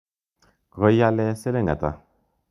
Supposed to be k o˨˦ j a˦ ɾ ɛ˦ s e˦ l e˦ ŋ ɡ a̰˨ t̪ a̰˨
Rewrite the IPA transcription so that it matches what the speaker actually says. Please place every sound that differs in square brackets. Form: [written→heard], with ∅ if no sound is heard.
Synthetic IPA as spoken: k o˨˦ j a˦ [ɾ→l] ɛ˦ s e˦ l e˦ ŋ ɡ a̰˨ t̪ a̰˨